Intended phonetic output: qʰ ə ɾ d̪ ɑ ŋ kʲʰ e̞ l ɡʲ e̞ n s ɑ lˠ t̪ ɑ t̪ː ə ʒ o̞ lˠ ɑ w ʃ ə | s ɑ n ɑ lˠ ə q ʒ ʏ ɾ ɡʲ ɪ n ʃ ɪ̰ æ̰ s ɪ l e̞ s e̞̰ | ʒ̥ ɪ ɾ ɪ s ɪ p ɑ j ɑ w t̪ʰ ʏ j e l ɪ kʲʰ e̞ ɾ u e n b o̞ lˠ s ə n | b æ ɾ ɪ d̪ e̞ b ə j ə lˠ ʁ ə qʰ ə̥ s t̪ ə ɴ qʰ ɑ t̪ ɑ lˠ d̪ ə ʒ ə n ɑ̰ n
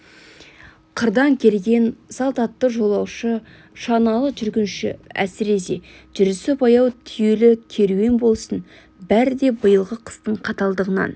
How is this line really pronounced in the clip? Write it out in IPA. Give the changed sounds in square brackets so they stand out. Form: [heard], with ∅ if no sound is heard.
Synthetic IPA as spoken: qʰ ə ɾ d̪ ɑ ŋ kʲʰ e̞ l ɡʲ e̞ n s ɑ lˠ t̪ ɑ t̪ː ə ʒ o̞ lˠ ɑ w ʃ ə | [ʃ] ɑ n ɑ lˠ ə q ʒ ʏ ɾ ɡʲ ɪ n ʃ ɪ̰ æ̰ s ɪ [ɾ] e̞ s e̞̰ | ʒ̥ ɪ ɾ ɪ s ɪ p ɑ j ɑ w t̪ʰ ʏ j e l ɪ kʲʰ e̞ ɾ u e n b o̞ lˠ s ə n | b æ ɾ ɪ d̪ e̞ b ə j ə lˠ ʁ ə qʰ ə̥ s t̪ ə ɴ qʰ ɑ t̪ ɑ lˠ d̪ ə [ʁ] ə n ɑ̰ n